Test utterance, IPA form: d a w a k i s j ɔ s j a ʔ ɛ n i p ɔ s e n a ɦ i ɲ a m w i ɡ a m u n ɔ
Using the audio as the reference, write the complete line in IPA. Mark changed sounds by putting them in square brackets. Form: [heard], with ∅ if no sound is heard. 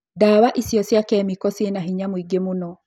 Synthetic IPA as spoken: d a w a [ʔ] i s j ɔ s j a [k] ɛ [m] i [k] ɔ s e n a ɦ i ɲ a m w i ɡ [e] m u n ɔ